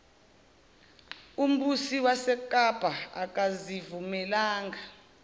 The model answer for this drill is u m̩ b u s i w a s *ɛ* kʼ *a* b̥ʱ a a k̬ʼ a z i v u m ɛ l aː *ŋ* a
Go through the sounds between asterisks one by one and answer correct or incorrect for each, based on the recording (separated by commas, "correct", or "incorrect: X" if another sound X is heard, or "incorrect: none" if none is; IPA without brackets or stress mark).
correct, correct, correct